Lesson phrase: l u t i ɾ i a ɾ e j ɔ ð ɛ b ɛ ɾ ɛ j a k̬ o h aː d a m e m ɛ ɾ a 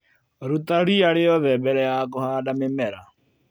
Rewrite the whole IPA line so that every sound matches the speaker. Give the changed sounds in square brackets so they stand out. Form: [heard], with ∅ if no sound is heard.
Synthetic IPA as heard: [ɾ] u t [a] ɾ i a ɾ e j ɔ ð ɛ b ɛ ɾ ɛ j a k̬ o h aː d a m e m ɛ ɾ a